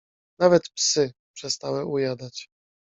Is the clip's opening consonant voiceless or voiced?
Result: voiced